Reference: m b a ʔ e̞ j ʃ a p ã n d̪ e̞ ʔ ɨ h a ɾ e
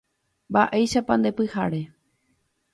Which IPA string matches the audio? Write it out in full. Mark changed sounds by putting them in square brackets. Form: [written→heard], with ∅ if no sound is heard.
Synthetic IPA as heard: m b a ʔ e̞ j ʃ a p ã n d̪ e̞ [ʔ→p] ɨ h a ɾ e